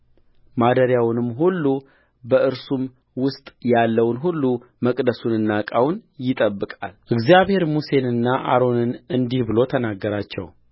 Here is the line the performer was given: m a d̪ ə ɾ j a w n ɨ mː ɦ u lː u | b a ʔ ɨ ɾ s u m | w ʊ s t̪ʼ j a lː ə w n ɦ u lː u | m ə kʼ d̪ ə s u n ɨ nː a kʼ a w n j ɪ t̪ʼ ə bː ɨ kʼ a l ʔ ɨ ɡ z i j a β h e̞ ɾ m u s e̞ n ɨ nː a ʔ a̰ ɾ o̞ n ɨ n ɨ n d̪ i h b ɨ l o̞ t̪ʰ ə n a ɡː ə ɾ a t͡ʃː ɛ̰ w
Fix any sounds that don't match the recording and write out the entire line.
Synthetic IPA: m a d̪ ə ɾ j a w n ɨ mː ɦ u lː u | b ə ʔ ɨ ɾ s u m | w ʊ s t̪ʼ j a lː ə w n ɦ u lː u | m ə kʼ d̪ ə s u n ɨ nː a kʼ a w n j ɪ t̪ʼ ə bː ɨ kʼ a l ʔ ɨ ɡ z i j a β h e̞ ɾ m u s e̞ n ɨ nː a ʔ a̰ ɾ o̞ n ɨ n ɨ n d̪ i h b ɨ l o̞ t̪ʰ ə n a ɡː ə ɾ a t͡ʃː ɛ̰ w